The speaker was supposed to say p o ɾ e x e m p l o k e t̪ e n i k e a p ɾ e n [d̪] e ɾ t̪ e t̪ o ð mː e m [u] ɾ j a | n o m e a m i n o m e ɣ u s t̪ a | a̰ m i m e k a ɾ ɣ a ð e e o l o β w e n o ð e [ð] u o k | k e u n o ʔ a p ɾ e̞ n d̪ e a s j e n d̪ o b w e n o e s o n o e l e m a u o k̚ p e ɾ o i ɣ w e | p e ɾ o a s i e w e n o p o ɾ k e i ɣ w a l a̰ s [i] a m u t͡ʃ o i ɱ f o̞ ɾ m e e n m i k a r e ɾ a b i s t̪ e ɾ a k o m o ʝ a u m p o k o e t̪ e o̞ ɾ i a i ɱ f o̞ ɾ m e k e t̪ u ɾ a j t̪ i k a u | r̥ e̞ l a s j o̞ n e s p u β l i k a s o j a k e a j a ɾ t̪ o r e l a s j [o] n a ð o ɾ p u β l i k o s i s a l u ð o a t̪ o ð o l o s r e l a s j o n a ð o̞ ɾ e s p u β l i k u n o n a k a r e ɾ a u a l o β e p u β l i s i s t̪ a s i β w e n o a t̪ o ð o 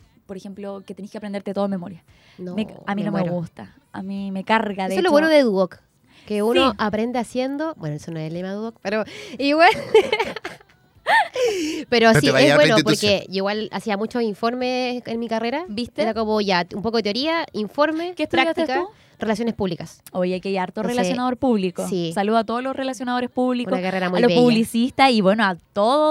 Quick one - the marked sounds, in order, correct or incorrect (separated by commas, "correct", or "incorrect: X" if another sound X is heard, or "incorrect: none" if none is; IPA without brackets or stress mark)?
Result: correct, incorrect: o, correct, correct, correct